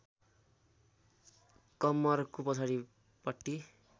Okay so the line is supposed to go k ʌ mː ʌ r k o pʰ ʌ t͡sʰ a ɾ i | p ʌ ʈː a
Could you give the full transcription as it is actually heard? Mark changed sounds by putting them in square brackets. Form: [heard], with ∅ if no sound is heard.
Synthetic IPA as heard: k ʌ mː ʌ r k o [p] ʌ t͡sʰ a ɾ i | p ʌ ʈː [i]